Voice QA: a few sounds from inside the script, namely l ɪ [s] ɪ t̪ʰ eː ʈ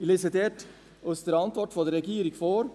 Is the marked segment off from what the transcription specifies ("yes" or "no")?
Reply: no